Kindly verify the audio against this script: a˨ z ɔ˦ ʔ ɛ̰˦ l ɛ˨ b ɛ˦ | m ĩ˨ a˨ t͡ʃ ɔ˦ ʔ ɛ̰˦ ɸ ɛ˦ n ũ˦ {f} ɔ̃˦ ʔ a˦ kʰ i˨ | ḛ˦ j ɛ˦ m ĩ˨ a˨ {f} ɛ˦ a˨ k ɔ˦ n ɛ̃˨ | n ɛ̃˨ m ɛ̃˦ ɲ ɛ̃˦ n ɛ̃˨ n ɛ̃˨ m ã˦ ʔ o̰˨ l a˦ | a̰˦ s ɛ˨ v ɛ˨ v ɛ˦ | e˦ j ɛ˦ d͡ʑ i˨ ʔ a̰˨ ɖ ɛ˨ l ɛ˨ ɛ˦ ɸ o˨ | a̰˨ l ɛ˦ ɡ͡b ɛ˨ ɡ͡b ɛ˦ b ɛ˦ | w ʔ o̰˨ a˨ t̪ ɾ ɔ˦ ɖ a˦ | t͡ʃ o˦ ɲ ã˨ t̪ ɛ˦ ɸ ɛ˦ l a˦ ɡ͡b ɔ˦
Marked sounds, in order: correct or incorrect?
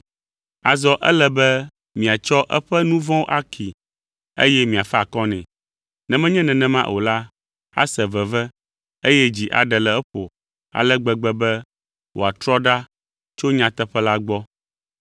incorrect: v, correct

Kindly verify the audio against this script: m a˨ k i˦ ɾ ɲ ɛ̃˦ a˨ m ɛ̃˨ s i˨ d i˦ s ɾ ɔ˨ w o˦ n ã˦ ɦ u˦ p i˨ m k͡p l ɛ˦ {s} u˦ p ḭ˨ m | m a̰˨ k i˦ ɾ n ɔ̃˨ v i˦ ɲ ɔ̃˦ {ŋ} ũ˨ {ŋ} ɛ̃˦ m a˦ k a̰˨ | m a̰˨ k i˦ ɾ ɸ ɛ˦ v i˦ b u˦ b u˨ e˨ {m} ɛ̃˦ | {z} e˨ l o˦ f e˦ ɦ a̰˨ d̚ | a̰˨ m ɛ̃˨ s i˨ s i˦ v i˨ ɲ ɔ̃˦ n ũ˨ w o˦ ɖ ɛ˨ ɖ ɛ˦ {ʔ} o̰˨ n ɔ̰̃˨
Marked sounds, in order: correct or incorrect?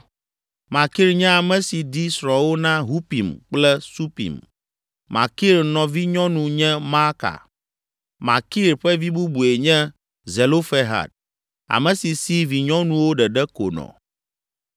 correct, incorrect: n, incorrect: ɲ, incorrect: ɲ, correct, incorrect: k

